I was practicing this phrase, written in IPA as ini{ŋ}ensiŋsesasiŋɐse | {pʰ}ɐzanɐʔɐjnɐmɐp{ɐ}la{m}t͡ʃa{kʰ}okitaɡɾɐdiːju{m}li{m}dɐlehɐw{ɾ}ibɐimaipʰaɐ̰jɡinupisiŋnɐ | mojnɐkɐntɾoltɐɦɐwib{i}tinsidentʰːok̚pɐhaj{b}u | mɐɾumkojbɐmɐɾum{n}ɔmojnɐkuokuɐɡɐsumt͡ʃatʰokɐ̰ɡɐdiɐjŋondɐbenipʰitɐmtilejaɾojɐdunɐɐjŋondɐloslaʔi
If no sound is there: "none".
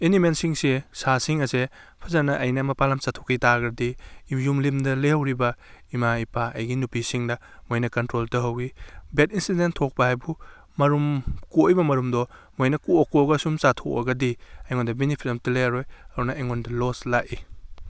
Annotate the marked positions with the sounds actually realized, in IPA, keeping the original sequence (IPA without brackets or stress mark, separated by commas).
m, pʰ, a, m, tʰ, m, m, ɾ, e, b, d